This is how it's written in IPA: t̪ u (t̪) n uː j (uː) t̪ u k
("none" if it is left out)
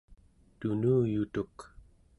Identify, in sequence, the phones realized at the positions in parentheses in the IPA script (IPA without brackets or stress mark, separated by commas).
none, u